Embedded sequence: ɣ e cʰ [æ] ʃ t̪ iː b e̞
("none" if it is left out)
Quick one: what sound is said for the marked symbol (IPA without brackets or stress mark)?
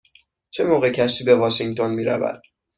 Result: æ